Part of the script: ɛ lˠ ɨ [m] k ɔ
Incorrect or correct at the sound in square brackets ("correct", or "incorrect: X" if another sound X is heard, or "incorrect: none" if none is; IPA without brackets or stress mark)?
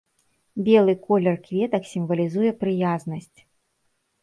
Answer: incorrect: none